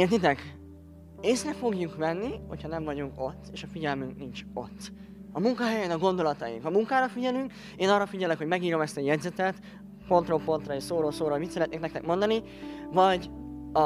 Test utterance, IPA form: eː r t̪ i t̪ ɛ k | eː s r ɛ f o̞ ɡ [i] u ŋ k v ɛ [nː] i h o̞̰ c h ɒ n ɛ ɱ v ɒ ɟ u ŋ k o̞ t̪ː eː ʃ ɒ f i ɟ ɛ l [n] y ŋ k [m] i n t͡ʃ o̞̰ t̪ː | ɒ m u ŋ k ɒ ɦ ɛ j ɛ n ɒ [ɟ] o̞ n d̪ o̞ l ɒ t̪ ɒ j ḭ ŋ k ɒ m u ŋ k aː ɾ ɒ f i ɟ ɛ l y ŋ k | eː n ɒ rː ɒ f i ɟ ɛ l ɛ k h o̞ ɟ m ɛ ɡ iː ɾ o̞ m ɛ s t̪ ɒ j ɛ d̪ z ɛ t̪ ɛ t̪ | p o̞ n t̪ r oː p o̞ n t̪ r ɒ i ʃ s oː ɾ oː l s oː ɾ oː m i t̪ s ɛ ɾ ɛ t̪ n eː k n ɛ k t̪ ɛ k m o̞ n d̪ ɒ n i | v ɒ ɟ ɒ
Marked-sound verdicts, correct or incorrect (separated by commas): incorrect, correct, incorrect, incorrect, incorrect